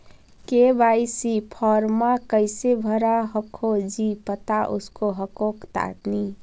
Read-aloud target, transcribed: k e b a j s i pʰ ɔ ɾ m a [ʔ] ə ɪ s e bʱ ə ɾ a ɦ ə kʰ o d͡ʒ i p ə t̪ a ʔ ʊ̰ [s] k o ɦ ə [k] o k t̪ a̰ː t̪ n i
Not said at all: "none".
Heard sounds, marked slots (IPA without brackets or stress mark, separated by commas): k, s, k